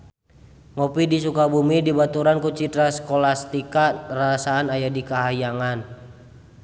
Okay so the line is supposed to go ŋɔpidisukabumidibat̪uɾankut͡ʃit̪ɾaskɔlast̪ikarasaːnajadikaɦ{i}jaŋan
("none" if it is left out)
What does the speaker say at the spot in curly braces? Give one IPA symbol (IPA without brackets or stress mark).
a